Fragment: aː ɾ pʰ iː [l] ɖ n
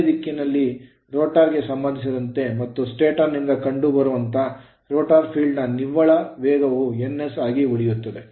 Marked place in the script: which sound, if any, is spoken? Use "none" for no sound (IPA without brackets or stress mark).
ɭ